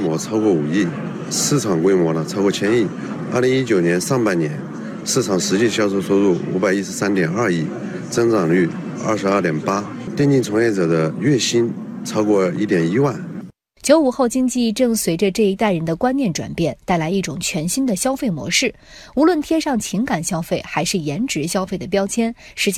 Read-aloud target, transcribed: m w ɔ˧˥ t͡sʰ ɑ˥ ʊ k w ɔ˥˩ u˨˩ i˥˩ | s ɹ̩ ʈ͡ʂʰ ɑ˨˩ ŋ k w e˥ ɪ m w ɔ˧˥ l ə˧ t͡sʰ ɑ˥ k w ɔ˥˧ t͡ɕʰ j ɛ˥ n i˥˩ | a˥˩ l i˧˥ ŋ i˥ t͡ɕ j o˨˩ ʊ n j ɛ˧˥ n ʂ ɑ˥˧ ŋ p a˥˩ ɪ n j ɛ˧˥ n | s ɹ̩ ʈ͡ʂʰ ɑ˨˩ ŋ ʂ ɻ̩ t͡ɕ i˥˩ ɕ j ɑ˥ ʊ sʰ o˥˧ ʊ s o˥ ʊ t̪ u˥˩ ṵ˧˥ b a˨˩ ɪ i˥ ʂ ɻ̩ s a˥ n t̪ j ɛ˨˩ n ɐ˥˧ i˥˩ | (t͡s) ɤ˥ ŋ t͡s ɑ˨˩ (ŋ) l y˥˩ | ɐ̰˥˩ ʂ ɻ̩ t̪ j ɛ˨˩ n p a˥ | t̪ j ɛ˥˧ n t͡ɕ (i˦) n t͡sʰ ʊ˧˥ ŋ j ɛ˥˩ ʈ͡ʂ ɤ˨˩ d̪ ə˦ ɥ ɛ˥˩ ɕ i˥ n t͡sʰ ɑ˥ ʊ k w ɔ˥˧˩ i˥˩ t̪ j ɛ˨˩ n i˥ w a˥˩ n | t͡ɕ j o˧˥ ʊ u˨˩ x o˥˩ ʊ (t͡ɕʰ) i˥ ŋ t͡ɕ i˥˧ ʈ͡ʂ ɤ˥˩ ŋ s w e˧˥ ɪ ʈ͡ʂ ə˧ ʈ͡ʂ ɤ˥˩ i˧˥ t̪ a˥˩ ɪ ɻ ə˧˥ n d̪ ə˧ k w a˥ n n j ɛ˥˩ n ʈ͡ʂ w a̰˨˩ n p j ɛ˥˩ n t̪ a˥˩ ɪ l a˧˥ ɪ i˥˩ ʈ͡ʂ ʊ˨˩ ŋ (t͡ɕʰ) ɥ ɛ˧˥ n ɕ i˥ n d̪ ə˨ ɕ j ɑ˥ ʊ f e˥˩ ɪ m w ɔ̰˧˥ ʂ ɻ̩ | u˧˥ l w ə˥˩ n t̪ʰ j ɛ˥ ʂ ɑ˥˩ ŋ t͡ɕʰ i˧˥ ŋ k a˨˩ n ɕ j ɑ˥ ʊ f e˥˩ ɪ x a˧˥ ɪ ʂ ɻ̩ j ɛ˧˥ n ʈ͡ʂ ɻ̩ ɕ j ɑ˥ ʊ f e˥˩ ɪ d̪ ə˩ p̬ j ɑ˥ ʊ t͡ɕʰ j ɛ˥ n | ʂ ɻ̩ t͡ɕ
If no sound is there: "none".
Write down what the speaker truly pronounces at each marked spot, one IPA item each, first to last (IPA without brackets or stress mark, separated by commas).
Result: t͡s, ŋ, i˥˩, t͡ɕ, t͡ɕʰ